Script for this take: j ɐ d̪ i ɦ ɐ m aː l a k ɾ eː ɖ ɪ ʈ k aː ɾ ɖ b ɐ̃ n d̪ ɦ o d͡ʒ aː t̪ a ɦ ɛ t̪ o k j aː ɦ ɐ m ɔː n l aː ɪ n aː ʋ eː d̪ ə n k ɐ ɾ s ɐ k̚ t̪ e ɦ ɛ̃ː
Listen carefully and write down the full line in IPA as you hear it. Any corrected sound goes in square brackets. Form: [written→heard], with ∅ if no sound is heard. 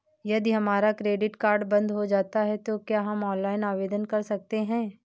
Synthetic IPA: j ɐ d̪ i ɦ ɐ m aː [l→ɾ] a k ɾ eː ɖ ɪ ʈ k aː ɾ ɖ b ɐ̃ n d̪ ɦ o d͡ʒ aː t̪ a ɦ ɛ t̪ o k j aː ɦ ɐ m ɔː n l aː ɪ n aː ʋ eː d̪ ə n k ɐ ɾ s ɐ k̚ t̪ e ɦ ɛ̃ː

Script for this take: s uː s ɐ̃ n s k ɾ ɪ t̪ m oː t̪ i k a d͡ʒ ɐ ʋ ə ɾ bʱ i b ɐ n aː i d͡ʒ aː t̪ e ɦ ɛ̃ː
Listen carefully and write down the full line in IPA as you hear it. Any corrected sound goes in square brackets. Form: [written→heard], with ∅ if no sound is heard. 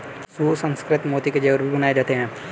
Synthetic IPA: s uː s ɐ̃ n s k ɾ ɪ t̪ m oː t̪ i k [a→e] d͡ʒ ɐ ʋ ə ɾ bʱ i b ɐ n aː [i→e] d͡ʒ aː t̪ e ɦ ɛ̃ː

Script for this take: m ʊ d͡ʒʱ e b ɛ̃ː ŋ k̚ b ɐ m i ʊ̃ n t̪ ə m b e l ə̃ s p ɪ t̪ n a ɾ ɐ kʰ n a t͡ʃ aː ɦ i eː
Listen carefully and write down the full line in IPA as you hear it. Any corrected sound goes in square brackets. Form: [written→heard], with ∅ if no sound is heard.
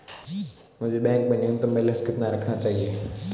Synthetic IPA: m ʊ d͡ʒʱ e b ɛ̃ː ŋ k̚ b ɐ [m→n] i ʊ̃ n t̪ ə m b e l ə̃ s [p→k] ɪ t̪ n a ɾ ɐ kʰ n a t͡ʃ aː ɦ i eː

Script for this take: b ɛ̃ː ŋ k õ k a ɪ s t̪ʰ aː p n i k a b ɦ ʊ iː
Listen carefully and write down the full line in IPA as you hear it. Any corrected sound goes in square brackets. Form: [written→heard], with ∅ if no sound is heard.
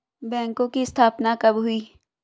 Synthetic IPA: b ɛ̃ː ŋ k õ k [a→i] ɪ s t̪ʰ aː p n [i→a] k [a→ɐ] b ɦ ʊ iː

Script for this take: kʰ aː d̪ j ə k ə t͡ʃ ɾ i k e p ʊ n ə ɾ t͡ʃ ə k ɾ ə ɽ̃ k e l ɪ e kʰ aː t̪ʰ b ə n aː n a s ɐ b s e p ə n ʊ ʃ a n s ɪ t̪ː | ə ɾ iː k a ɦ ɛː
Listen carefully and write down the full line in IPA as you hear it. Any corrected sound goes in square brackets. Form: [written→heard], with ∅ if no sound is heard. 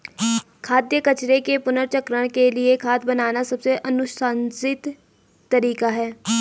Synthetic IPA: kʰ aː d̪ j ə k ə t͡ʃ ɾ [i→e] k e p ʊ n ə ɾ t͡ʃ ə k ɾ ə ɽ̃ k e l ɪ e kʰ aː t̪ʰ b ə n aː n a s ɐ b s e [p→ʔ] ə n ʊ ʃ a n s ɪ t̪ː | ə ɾ iː k a ɦ ɛː

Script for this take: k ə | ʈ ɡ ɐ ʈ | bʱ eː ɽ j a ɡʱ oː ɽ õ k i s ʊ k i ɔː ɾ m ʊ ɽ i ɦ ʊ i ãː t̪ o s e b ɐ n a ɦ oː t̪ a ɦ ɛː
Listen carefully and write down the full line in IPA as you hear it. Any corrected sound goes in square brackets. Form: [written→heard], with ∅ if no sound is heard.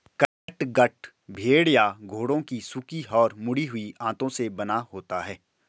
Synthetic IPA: k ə | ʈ ɡ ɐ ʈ | bʱ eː ɽ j a ɡʱ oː ɽ õ k i s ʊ k i ɔː ɾ m ʊ ɽ i ɦ ʊ i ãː t̪ [o→õ] s e b ɐ n a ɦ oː t̪ a ɦ ɛː

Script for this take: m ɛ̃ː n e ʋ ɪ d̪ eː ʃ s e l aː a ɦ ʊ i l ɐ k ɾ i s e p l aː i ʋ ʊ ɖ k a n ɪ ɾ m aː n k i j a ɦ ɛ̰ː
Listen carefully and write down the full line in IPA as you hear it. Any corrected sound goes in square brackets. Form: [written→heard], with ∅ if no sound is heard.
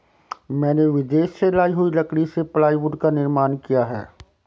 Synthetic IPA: m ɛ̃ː n e ʋ ɪ d̪ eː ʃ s e l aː [a→i] ɦ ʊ i l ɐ k [ɾ→ɽ] i s e p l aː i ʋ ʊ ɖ k a n ɪ ɾ m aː n k i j a ɦ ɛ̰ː

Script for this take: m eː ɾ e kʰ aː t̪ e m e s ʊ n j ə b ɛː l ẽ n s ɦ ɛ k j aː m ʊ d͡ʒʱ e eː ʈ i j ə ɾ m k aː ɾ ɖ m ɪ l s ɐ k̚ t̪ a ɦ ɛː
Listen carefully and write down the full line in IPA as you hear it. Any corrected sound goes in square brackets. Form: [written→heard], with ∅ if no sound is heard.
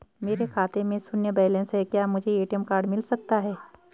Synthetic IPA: m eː ɾ e kʰ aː t̪ e m [e→ẽ] s ʊ n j ə b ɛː l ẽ n s ɦ ɛ k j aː m ʊ d͡ʒʱ e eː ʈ i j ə [ɾ→∅] m k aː ɾ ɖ m ɪ l s ɐ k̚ t̪ a ɦ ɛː

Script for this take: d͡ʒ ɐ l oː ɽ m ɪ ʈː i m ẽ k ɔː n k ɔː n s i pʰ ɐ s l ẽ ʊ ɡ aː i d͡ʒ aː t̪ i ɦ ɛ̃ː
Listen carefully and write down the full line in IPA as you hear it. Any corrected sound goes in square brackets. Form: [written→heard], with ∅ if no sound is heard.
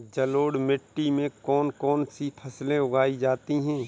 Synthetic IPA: d͡ʒ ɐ l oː ɽ m ɪ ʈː i m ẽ k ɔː n k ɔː n s i pʰ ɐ s l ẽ ʊ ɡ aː i d͡ʒ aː t̪ i ɦ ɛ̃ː

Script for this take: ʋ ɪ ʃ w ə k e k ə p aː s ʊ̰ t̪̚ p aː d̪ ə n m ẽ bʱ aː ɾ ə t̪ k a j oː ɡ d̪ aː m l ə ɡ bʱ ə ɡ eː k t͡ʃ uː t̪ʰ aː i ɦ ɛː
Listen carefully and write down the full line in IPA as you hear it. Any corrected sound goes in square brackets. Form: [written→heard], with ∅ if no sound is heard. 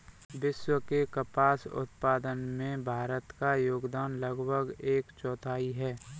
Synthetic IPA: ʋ ɪ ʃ w ə k e k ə p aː s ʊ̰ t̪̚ p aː d̪ ə n m ẽ bʱ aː ɾ ə t̪ k a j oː ɡ d̪ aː [m→n] l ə ɡ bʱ ə ɡ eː k t͡ʃ [uː→ɔː] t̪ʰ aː i ɦ ɛː

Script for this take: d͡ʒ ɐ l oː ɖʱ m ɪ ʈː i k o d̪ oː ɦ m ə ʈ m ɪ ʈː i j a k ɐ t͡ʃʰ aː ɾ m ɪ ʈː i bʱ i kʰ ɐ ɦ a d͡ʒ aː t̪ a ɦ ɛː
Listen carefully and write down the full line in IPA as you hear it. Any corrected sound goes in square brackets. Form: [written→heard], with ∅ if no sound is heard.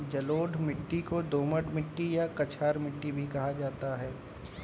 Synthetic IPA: d͡ʒ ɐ l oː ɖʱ m ɪ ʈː i k o d̪ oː [ɦ→∅] m ə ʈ m ɪ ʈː i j a k ɐ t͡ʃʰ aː ɾ m ɪ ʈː i bʱ i [kʰ→k] ɐ ɦ a d͡ʒ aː t̪ a ɦ ɛː

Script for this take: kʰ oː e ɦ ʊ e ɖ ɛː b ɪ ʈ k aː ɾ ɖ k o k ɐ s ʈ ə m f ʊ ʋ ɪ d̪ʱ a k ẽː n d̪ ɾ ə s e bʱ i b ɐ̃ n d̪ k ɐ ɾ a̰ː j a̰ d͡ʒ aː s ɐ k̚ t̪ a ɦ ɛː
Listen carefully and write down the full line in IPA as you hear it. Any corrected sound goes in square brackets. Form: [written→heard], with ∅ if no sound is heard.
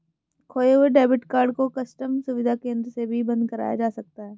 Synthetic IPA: kʰ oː e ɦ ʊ e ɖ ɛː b ɪ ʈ k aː ɾ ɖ k o k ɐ s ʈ ə m [f→s] ʊ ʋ ɪ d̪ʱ a k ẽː n d̪ ɾ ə s e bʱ i b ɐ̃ n d̪ k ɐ ɾ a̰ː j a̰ d͡ʒ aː s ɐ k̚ t̪ a ɦ ɛː

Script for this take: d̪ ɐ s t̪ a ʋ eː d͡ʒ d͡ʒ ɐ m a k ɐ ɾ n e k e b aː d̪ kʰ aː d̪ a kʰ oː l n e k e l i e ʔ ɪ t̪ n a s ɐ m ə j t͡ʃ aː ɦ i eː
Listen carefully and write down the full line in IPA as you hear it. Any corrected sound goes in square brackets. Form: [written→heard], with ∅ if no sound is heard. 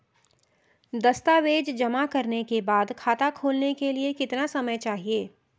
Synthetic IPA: d̪ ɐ s t̪ a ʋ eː d͡ʒ d͡ʒ ɐ m a k ɐ ɾ n e k e b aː d̪ kʰ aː [d̪→t̪] a kʰ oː l n e k e l i e [ʔ→k] ɪ t̪ n a s ɐ m ə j t͡ʃ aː ɦ i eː

